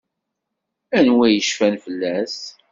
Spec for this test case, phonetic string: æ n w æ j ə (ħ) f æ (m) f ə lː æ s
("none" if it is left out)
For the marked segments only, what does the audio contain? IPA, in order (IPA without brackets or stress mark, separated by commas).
ʃ, n